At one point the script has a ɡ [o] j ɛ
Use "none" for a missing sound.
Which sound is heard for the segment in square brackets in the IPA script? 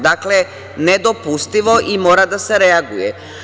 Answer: u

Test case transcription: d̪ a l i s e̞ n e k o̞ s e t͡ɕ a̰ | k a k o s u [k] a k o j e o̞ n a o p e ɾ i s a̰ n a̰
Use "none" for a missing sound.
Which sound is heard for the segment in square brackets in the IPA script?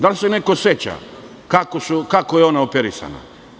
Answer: k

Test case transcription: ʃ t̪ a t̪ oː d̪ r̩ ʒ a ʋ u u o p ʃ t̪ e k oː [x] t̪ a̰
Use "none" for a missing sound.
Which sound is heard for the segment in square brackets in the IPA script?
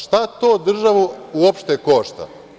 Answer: ʃ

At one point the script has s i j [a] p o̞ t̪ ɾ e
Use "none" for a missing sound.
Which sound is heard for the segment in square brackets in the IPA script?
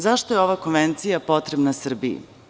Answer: a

